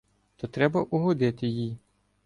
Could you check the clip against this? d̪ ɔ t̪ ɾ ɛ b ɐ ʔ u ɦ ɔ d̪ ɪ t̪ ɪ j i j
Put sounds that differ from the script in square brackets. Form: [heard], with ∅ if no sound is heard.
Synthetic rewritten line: [t̪] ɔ t̪ ɾ ɛ b ɐ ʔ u ɦ ɔ d̪ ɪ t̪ ɪ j i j